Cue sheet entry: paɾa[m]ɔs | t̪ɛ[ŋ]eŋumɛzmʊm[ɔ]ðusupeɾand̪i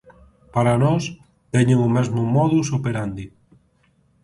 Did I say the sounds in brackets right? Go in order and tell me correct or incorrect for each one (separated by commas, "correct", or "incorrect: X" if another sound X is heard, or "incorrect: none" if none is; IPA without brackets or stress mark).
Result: incorrect: n, incorrect: ɲ, correct